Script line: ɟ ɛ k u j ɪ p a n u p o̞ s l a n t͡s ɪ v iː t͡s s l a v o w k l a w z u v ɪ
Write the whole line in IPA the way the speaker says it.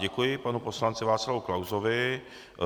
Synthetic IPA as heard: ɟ ɛ k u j ɪ p a n u p o̞ s l a n t͡s ɪ v aː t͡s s l a v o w k l a w z o v ɪ